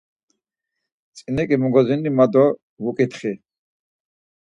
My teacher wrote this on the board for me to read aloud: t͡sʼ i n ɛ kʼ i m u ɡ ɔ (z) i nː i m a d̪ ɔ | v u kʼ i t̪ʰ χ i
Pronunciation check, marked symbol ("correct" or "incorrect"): correct